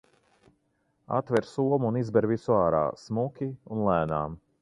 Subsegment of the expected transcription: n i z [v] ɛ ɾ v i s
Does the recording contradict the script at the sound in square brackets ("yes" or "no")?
yes